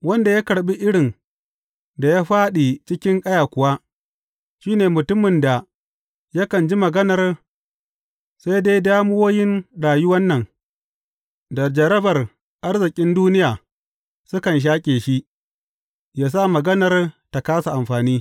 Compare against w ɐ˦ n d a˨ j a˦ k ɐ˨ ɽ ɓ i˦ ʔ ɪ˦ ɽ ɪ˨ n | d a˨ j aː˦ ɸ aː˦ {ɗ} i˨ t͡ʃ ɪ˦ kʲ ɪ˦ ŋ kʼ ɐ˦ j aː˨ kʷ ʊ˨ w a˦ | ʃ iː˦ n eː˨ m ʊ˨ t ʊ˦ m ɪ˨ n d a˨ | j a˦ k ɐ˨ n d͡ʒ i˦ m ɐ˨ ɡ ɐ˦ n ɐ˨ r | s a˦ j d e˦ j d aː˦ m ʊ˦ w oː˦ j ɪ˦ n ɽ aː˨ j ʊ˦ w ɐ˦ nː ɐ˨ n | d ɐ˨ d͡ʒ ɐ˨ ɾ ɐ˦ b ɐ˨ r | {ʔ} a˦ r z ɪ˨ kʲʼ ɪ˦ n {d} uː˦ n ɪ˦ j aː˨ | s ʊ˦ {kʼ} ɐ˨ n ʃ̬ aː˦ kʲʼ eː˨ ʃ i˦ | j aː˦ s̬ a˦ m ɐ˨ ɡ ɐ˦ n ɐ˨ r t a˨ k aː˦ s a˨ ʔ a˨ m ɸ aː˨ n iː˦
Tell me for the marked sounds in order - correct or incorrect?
correct, correct, correct, incorrect: k

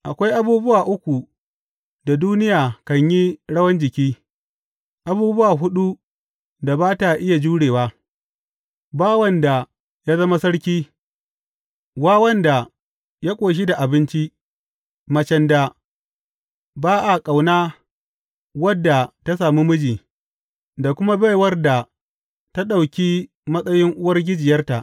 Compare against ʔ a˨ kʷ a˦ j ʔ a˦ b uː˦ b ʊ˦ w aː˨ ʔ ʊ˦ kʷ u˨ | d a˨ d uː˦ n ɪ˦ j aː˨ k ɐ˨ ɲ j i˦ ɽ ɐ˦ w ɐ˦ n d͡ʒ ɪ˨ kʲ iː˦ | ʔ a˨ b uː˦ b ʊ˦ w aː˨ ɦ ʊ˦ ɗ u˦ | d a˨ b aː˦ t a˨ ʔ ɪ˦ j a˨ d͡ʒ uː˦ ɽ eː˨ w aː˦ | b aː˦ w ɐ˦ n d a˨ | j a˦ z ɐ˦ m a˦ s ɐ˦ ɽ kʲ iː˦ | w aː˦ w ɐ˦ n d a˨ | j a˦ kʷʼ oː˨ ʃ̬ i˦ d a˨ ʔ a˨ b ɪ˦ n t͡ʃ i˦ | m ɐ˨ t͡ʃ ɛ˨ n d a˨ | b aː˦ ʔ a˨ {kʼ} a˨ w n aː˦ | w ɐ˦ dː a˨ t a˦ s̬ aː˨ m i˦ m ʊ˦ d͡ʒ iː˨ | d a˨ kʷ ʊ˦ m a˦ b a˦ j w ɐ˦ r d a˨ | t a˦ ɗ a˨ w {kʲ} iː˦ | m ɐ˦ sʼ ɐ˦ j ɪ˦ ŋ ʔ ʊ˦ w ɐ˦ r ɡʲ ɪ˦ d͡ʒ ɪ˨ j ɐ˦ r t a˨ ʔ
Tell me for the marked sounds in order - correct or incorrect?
correct, correct

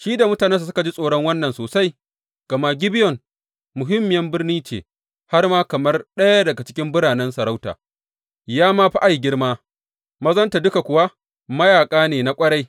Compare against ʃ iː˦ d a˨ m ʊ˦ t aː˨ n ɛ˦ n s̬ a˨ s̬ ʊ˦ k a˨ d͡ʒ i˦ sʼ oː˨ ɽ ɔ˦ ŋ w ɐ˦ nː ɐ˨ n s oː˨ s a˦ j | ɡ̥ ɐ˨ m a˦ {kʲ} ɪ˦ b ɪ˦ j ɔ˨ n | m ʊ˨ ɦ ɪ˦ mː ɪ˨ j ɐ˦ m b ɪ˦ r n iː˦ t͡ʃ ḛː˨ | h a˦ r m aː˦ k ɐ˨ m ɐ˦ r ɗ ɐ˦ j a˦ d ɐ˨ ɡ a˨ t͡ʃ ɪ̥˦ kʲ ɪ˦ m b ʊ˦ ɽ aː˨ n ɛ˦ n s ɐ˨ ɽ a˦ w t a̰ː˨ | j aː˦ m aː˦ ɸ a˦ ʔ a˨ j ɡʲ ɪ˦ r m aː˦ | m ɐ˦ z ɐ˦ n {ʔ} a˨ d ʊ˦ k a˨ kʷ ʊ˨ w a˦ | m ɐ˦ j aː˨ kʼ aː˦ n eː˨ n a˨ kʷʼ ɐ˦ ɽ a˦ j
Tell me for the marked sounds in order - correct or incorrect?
incorrect: ɡʲ, incorrect: t

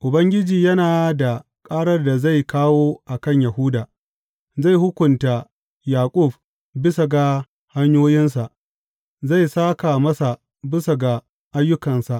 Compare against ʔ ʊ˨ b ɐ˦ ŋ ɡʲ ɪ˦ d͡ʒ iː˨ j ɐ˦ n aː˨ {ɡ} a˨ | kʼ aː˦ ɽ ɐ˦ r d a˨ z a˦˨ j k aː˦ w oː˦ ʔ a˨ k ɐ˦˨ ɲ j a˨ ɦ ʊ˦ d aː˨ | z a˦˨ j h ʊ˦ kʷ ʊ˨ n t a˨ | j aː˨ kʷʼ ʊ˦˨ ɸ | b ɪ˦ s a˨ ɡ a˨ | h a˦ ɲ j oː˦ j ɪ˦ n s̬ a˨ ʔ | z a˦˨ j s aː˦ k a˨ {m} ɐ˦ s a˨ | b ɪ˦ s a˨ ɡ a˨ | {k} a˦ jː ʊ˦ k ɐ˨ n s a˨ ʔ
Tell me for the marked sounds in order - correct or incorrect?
incorrect: d, correct, incorrect: ʔ

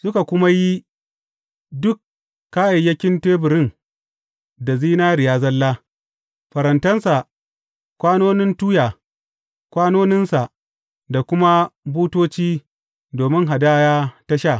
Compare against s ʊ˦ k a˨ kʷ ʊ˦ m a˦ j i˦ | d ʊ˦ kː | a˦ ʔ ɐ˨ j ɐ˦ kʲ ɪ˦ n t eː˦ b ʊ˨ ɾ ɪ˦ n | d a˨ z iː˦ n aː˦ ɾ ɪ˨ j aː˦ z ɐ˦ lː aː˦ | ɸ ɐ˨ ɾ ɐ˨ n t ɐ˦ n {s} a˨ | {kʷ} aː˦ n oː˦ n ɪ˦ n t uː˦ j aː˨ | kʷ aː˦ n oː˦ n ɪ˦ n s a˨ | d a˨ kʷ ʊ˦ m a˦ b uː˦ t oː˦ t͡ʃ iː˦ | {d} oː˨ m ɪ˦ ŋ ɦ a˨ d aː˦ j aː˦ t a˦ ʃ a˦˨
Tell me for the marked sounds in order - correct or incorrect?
correct, correct, correct

